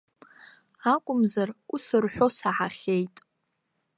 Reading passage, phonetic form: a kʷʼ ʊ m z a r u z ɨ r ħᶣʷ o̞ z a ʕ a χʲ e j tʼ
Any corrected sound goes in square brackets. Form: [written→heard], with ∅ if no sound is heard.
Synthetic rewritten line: a kʷʼ ʊ m z a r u [z→s] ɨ r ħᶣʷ o̞ [z→s] a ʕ a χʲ e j tʼ